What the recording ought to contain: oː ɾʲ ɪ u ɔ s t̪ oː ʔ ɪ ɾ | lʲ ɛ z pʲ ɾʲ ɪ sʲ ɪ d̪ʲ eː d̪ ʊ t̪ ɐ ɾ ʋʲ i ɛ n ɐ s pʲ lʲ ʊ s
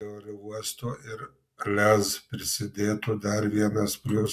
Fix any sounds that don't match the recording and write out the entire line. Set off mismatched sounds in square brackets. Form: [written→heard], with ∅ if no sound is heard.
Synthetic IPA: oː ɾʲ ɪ u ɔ s t̪ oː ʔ ɪ ɾ | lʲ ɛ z pʲ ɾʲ ɪ sʲ ɪ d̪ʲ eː [d̪→t̪] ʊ [t̪→d̪] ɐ ɾ ʋʲ i ɛ n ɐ s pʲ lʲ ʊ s